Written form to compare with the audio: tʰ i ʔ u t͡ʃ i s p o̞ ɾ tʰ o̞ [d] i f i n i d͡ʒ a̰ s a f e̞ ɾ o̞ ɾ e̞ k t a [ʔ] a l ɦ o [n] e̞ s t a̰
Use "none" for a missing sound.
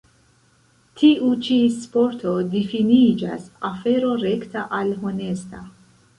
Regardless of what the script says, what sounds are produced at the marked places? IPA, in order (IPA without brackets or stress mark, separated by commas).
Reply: d, ʔ, n